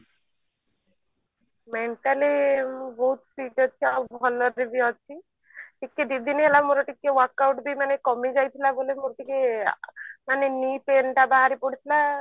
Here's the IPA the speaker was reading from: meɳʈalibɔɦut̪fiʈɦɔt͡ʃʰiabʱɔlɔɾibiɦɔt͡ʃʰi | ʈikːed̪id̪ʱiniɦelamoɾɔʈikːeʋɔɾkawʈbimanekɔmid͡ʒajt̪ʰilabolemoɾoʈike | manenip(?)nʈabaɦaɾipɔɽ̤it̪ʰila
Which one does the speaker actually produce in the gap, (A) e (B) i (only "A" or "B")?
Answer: A